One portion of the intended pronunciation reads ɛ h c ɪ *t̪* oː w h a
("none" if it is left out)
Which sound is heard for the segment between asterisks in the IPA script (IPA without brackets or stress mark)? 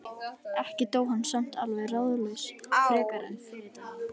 t̪